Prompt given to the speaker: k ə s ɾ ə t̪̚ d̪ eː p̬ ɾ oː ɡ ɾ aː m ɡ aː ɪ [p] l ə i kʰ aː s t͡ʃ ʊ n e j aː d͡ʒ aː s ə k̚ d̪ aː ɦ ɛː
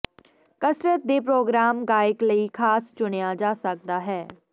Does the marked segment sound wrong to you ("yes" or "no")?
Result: yes